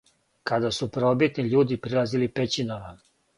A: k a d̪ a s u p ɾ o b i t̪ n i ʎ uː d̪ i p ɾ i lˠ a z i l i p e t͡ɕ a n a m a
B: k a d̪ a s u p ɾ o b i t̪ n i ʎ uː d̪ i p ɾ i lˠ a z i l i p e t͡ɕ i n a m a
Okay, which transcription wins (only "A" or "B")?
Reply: B